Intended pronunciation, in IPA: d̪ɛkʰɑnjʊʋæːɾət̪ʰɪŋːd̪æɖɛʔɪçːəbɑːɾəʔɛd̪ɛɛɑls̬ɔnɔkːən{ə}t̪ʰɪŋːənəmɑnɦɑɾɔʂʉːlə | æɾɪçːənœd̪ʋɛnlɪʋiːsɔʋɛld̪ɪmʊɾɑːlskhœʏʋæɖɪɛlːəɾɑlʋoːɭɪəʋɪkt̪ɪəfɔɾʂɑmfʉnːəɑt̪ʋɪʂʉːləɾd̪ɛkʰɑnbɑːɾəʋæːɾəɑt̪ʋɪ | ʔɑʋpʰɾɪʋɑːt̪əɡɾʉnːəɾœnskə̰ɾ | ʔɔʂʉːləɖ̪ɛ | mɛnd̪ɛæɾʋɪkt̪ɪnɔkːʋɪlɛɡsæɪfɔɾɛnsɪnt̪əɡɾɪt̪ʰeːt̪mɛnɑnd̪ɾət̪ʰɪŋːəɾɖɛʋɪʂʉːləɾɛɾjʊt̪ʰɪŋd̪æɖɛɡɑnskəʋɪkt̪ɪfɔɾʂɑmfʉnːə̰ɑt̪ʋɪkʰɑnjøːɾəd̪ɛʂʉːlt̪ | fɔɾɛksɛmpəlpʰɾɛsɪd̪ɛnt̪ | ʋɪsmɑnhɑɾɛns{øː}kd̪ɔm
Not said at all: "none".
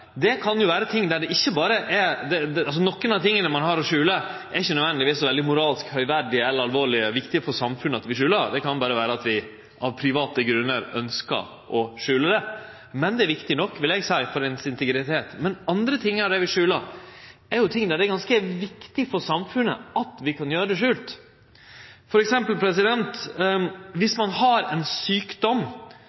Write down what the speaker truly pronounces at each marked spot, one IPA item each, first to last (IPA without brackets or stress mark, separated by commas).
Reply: ɑ, yː